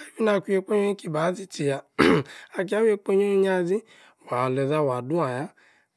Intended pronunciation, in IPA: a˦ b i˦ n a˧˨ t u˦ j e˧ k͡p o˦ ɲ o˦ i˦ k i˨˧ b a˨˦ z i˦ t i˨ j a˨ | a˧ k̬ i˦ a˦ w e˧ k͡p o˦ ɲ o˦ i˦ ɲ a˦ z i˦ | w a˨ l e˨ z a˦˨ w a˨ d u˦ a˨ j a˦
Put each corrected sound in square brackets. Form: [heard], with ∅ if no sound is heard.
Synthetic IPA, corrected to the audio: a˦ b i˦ n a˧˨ [k] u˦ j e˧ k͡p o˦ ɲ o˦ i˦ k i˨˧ b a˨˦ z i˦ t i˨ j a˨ | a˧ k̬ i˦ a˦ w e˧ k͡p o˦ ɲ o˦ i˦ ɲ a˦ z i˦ | w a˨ l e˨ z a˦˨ w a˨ d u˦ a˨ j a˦